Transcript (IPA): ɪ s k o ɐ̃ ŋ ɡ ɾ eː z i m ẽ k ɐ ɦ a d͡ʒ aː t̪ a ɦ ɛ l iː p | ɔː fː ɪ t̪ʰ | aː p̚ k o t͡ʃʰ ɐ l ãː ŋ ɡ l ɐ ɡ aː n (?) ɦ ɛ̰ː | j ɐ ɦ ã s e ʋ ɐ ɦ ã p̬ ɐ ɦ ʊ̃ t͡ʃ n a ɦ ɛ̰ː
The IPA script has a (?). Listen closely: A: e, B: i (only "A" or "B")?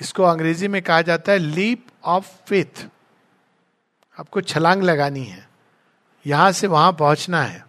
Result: B